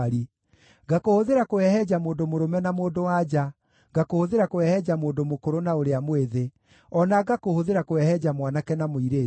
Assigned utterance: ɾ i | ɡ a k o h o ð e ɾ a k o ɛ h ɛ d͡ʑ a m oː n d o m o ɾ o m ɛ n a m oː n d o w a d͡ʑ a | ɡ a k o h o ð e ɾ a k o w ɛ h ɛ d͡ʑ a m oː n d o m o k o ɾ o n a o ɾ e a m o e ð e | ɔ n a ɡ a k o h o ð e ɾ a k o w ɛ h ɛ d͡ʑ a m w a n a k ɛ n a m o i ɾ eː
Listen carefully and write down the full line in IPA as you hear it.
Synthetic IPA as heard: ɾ i | ɡ a k o h o ð e ɾ a k o ɛ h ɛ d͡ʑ a m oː n d o m o ɾ o m ɛ n a m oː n d o w a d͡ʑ a | ɡ a k o h o ð e ɾ a k o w ɛ h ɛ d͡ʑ a m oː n d o m o k o ɾ o n a o ɾ e a m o e ð e | ɔ n a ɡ a k o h o ð e ɾ a k o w ɛ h ɛ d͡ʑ a m w a n a k ɛ n a m o i ɾ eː